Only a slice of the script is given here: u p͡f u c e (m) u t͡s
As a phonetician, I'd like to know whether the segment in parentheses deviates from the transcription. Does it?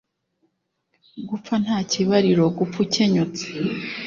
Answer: yes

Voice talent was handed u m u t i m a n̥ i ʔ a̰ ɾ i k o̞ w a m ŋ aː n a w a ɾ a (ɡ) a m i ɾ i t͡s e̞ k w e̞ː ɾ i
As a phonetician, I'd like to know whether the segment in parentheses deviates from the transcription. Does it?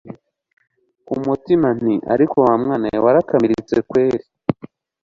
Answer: yes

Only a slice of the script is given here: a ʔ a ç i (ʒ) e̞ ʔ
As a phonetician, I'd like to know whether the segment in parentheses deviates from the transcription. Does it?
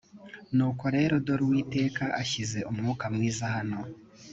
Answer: yes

